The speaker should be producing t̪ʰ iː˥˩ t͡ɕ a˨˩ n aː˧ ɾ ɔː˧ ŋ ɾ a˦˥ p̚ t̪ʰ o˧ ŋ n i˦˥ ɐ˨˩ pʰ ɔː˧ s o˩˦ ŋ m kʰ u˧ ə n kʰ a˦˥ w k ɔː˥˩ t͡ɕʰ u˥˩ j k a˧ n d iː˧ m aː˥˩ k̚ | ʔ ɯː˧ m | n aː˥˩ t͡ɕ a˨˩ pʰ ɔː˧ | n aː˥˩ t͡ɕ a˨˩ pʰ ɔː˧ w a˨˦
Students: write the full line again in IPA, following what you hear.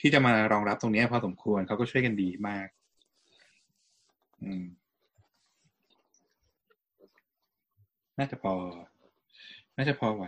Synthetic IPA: t̪ʰ iː˥˩ t͡ɕ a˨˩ m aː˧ ɾ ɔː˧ ŋ ɾ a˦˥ p̚ t̪ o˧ ŋ n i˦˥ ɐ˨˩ pʰ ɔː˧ s o˩˦ m kʰ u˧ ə n kʰ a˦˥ w k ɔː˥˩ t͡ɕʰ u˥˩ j k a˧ n d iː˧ m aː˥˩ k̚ | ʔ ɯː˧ m | n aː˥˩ t͡ɕ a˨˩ pʰ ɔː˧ | n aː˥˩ t͡ɕ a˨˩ pʰ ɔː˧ w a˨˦